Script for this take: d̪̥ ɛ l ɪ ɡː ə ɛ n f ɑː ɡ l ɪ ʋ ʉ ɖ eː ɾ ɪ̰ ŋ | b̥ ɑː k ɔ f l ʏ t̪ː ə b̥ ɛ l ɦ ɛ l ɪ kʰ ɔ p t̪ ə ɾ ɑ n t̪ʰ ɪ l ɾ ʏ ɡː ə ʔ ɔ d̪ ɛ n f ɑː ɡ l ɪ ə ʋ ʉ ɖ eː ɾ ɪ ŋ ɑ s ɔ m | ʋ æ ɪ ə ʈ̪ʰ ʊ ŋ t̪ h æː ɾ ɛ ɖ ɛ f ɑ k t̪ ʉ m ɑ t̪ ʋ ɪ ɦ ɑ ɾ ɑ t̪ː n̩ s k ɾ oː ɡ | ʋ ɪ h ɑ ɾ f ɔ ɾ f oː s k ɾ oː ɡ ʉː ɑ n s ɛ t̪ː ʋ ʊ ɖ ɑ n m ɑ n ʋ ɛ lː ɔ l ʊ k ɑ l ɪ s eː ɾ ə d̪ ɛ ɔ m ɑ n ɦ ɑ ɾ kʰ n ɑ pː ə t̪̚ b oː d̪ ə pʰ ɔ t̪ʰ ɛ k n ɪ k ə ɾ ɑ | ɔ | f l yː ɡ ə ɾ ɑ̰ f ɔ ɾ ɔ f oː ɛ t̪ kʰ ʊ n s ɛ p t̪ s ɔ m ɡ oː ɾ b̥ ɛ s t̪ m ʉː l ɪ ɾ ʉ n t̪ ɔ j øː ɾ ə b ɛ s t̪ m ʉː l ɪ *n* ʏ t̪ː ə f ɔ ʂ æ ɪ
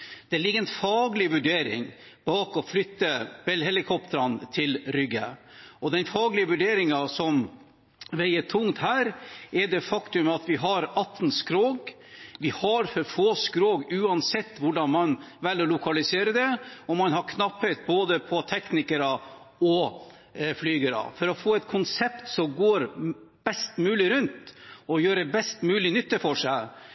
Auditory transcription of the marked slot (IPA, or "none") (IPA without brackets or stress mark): n